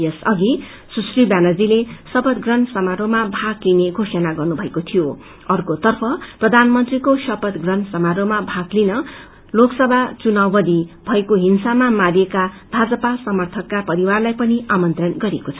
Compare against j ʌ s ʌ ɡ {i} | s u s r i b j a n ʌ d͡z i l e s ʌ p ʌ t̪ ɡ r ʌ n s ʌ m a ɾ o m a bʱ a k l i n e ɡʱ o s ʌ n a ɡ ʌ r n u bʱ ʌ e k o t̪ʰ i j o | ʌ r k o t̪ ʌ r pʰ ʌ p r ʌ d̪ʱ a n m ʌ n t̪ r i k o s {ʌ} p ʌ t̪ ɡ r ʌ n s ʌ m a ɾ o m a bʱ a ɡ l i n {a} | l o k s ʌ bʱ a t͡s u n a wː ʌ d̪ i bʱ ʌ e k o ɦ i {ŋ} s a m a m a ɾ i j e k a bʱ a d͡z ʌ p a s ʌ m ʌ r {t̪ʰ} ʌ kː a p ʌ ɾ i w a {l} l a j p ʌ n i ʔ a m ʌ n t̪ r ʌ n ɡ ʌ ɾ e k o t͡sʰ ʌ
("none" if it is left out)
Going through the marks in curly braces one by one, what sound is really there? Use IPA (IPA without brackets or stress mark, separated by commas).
i, ʌ, ʌ, n, t̪ʰ, r